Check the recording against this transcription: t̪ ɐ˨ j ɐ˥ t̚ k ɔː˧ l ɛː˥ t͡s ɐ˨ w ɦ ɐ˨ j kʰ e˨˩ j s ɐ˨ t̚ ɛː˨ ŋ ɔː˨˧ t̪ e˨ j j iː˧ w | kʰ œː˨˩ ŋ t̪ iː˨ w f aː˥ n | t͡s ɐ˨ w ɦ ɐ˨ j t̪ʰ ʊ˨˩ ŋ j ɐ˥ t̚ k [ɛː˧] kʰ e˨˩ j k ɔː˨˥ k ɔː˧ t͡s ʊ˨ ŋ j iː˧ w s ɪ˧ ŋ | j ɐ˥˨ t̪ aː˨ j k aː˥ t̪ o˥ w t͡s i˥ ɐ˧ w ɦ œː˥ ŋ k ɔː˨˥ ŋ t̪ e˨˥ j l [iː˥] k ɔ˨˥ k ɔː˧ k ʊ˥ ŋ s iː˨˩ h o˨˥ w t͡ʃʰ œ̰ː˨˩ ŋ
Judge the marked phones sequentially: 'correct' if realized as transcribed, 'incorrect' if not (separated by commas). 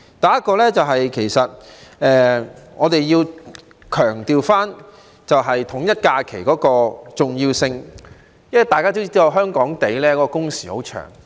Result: incorrect, incorrect